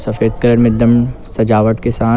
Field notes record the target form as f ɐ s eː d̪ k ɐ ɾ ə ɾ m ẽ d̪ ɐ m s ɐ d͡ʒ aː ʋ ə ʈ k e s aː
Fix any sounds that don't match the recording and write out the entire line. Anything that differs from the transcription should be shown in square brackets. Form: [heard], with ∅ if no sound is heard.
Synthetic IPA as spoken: [s] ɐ [f] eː d̪ k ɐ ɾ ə ɾ m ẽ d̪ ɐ m s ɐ d͡ʒ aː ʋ ə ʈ k e s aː